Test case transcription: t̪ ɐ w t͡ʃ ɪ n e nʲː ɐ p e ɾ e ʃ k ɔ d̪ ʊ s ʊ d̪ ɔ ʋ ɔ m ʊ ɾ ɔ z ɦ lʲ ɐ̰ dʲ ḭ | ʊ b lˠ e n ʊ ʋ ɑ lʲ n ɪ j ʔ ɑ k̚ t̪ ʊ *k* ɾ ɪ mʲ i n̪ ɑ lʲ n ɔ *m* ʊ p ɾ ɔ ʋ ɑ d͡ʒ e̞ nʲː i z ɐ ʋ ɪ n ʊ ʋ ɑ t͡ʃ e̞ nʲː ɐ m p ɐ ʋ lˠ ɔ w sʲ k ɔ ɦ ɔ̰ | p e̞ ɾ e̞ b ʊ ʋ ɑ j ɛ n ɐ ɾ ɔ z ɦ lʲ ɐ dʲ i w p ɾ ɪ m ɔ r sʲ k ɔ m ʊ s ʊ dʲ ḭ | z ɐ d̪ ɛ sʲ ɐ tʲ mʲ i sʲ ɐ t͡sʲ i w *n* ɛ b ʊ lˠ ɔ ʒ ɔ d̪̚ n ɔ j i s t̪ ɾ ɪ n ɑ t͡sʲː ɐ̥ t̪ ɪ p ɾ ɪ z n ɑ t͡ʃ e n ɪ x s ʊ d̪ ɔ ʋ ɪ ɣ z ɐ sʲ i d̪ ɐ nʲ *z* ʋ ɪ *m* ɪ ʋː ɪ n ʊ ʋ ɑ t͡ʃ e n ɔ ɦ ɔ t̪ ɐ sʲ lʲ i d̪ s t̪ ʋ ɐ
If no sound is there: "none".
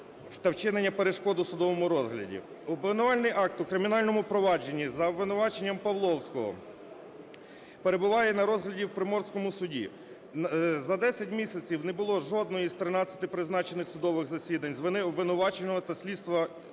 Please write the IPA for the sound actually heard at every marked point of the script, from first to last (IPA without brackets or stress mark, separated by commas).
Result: k, m, n, z, n